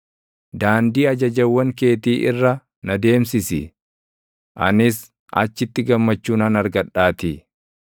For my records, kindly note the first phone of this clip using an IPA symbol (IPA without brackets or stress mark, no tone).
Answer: d̪